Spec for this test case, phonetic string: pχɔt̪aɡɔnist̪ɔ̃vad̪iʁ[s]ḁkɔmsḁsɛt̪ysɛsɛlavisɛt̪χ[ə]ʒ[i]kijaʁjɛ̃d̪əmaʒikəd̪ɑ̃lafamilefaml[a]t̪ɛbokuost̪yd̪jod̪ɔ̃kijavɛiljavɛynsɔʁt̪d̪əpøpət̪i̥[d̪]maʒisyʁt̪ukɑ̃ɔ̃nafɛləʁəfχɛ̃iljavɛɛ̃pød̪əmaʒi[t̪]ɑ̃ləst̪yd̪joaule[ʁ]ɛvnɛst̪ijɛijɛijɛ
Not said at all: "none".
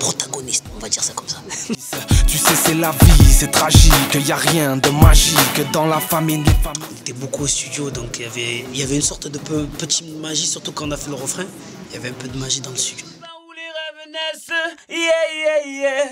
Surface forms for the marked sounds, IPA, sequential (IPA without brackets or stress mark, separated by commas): s, a, i, e, t̪, d̪, ʁ